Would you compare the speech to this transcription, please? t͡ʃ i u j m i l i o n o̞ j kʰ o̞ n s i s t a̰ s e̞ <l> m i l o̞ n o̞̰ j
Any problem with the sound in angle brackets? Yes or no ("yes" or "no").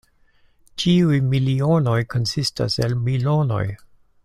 no